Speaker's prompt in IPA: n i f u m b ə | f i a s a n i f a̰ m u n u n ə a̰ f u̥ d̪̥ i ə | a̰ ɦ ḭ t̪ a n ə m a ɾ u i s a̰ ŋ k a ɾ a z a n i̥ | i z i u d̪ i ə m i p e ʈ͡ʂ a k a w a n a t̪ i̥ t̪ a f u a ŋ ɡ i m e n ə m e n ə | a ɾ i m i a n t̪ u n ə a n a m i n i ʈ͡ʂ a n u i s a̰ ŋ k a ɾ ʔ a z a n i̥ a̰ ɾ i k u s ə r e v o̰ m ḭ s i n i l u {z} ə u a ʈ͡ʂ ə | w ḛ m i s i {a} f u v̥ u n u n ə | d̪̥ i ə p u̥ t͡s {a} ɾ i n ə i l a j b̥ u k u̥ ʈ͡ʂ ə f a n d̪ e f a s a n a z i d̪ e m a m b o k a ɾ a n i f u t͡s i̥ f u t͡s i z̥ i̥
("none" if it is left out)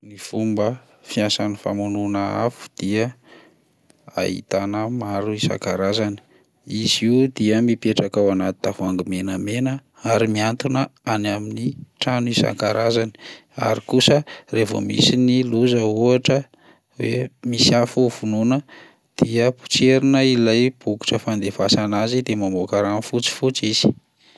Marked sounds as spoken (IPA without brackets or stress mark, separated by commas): z, a, e